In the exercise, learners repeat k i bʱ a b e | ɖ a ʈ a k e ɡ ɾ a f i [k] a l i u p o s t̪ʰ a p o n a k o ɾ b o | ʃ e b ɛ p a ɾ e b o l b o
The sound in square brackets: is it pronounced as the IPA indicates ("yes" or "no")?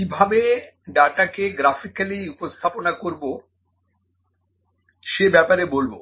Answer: yes